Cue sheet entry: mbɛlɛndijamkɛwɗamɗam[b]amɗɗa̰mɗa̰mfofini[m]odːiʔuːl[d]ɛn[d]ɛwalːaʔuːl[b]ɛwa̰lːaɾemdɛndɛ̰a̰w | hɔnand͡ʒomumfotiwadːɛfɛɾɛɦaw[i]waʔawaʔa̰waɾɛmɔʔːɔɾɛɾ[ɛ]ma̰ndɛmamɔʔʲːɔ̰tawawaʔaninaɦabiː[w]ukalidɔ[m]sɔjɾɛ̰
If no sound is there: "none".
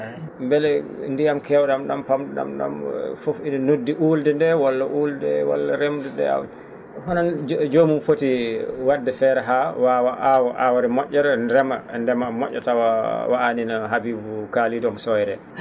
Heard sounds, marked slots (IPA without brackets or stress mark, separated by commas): p, n, d, d, d, a, ɛ, b, m